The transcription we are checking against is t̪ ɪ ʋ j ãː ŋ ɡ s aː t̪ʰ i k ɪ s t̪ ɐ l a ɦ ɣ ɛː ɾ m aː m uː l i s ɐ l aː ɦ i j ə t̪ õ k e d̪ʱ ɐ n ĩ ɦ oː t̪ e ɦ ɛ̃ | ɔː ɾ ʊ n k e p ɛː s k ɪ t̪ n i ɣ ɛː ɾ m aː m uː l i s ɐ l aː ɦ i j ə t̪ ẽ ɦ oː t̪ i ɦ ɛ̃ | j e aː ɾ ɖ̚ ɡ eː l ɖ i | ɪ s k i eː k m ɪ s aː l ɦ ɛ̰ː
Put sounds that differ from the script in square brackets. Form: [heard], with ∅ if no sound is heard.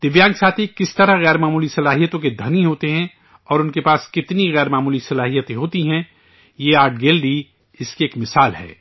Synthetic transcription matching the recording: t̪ ɪ ʋ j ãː ŋ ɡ s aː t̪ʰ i k ɪ s t̪ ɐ [ɾ] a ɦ ɣ ɛː ɾ m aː m uː l i s ɐ l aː ɦ i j ə t̪ õ k e d̪ʱ ɐ n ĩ ɦ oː t̪ e ɦ ɛ̃ | ɔː ɾ ʊ n k e p [aː] s k ɪ t̪ n i ɣ ɛː ɾ m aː m uː l i s ɐ l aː ɦ i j ə t̪ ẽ ɦ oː t̪ i ɦ ɛ̃ | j e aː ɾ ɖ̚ ɡ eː l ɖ i | ɪ s k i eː k m ɪ s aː l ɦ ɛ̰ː